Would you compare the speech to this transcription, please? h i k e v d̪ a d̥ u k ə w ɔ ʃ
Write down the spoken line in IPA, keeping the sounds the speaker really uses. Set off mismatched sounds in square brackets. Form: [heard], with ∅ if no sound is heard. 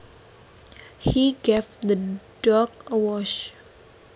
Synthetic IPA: h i [ɡ] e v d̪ [ə] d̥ [ɔ] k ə w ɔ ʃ